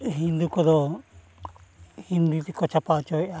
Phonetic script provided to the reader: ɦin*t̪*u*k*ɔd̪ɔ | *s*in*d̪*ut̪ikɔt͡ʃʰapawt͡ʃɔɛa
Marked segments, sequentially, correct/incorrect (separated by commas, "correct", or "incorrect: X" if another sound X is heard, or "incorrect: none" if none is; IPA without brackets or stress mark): incorrect: d̪, correct, incorrect: h, correct